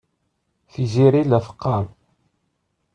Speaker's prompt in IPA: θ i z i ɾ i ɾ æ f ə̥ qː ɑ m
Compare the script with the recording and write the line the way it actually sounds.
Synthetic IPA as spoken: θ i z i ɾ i l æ f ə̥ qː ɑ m